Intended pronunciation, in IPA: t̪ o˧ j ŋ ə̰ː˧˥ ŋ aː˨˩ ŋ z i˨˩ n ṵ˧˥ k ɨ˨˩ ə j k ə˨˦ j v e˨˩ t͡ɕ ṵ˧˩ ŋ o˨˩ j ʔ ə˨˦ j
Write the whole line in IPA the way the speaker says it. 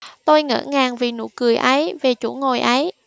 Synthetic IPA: t̪ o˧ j ŋ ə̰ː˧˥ ŋ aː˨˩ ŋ v i˨˩ n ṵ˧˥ k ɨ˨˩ ə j ʔ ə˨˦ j v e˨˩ t͡ɕ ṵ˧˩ ŋ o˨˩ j ʔ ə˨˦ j